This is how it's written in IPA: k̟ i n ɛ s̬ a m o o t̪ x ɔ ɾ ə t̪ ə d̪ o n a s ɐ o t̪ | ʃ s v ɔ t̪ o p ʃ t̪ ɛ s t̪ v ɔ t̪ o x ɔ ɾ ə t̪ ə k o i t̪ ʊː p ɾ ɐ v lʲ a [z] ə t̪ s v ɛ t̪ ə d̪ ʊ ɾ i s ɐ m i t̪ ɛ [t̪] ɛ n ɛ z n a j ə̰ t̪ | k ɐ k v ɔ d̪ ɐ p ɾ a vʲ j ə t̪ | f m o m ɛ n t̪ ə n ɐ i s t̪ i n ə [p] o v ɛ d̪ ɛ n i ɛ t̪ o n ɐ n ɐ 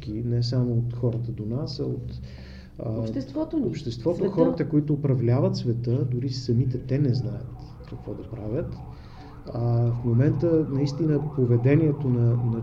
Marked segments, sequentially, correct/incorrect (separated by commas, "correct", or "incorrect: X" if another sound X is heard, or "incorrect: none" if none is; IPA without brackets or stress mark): incorrect: v, correct, correct